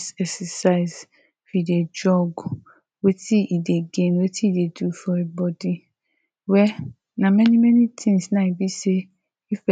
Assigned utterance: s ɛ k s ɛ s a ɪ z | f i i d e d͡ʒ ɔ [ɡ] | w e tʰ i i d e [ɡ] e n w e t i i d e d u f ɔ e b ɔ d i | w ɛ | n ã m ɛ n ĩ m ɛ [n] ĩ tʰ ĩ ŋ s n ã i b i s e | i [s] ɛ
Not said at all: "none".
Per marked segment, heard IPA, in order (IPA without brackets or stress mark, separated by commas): ɡ, ɡ, n, f